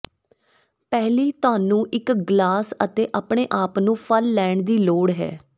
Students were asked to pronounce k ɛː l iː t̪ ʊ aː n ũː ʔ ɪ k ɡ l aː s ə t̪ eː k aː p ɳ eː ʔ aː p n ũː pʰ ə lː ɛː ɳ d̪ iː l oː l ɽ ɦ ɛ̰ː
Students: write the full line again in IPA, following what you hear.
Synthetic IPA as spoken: p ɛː l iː t̪ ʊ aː n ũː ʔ ɪ k ɡ l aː s ə t̪ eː ʔ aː p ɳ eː ʔ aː p n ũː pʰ ə lː ɛː ɳ d̪ iː l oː ɽ ɦ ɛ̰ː